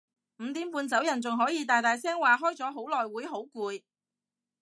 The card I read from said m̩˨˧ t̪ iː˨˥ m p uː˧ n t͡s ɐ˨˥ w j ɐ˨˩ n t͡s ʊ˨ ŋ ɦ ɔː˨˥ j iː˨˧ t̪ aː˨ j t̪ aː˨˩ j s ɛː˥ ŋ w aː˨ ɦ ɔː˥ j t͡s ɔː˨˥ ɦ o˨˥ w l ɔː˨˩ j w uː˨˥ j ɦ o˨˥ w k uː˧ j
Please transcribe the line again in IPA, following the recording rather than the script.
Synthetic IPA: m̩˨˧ t̪ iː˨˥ m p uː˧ n t͡s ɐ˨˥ w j ɐ˨˩ n t͡s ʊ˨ ŋ ɦ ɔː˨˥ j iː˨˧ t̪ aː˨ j t̪ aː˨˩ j s ɛː˥ ŋ w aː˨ ɦ ɔː˥ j t͡s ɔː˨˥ ɦ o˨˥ w l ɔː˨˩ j w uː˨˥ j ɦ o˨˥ w k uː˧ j